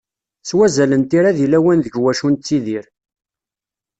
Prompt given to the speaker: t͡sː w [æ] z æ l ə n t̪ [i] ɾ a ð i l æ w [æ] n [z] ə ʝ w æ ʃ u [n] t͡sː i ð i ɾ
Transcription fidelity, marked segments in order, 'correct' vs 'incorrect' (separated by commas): correct, correct, correct, incorrect, correct